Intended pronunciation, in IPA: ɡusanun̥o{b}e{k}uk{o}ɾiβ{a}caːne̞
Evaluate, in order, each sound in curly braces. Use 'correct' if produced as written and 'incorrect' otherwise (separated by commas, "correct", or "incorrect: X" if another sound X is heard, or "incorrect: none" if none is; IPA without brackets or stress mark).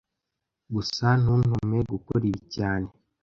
incorrect: m, incorrect: ɡ, correct, incorrect: i